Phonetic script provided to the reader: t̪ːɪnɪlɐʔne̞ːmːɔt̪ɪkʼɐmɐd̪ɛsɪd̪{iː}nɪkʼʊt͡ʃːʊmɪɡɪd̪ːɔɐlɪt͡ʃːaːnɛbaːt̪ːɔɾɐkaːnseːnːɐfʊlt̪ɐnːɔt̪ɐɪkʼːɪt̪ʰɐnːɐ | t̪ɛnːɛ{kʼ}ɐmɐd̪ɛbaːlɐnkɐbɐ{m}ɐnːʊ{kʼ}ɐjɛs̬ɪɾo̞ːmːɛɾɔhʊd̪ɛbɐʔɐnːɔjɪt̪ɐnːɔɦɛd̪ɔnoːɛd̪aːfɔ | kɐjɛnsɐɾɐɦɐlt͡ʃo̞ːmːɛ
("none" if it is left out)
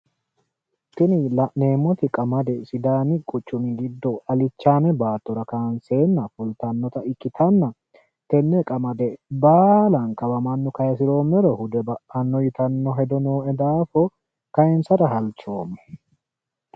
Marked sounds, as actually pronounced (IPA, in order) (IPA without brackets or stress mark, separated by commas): aː, kʼ, m, k